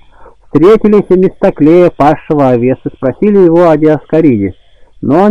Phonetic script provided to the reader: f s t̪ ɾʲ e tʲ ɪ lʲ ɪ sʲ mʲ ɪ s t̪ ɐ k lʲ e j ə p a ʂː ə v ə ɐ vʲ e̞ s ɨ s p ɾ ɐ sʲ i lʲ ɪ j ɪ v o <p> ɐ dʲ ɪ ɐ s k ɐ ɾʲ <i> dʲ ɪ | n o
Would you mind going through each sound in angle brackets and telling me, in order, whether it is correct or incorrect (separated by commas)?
incorrect, correct